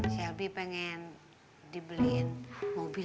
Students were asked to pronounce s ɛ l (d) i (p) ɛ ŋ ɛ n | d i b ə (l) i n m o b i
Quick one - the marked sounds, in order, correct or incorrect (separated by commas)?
incorrect, correct, correct